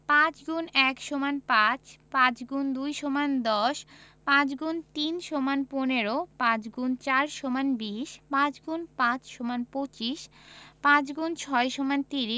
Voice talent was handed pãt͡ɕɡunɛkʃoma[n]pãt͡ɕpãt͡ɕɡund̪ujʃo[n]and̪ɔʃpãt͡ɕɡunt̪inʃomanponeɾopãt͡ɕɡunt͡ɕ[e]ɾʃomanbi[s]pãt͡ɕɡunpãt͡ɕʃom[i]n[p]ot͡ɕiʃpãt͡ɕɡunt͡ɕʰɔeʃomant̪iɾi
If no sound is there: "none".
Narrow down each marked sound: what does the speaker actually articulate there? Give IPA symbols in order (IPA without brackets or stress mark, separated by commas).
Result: n, m, a, ʃ, a, p